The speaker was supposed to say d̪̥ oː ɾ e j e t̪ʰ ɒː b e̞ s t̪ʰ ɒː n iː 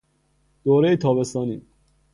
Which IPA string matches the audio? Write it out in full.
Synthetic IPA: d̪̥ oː ɾ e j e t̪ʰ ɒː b e̞ s t̪ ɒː n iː